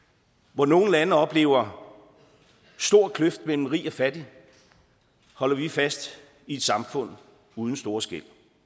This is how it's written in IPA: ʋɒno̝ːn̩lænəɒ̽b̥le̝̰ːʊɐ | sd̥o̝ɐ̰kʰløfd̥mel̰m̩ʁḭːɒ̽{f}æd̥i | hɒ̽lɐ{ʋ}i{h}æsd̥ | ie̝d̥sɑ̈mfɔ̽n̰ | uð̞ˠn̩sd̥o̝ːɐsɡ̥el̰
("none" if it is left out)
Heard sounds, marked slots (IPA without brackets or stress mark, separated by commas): f, ʋ, f